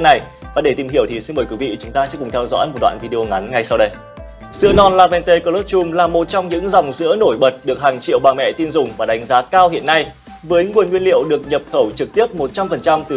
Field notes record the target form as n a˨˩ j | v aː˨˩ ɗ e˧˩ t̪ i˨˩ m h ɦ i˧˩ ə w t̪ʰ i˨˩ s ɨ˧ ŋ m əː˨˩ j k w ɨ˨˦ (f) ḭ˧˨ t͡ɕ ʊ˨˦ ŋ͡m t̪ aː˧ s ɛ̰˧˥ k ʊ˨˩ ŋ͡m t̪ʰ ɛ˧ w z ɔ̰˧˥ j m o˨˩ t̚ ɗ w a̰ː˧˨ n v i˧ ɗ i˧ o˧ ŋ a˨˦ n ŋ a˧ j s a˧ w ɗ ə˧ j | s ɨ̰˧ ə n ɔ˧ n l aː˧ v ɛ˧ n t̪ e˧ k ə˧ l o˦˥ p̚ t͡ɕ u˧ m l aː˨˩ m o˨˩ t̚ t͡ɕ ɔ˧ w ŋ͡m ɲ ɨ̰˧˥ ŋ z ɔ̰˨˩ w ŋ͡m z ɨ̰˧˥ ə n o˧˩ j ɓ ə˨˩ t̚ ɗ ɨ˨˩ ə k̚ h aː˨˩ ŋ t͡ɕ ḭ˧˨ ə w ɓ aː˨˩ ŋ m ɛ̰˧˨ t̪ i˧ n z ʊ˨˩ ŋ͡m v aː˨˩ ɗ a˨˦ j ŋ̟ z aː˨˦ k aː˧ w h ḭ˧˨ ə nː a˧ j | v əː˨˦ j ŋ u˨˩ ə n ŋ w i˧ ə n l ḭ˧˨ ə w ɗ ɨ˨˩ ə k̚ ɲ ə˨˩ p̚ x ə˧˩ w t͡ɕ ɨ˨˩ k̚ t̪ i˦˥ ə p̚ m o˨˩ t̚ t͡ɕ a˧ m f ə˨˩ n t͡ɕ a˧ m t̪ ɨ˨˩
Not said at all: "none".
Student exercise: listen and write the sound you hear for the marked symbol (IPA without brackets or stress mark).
v